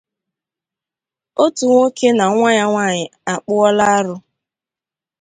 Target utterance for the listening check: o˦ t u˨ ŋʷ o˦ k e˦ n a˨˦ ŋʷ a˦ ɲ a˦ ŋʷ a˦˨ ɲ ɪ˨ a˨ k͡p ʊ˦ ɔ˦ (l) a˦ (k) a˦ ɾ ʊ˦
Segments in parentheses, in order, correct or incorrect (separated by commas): correct, incorrect